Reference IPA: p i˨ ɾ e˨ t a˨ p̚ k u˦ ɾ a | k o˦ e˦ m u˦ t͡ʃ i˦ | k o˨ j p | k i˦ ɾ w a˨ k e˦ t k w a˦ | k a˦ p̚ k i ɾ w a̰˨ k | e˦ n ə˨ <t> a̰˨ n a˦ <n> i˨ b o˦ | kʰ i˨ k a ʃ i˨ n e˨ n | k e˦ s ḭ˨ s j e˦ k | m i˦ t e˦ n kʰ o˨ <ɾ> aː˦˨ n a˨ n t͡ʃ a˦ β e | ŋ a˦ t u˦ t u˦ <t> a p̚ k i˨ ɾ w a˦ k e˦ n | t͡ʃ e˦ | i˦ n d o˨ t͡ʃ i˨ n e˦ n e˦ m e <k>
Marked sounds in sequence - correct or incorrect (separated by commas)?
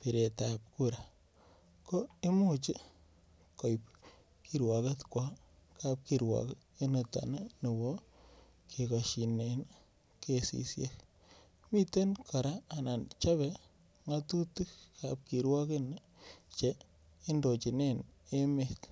correct, correct, correct, incorrect, correct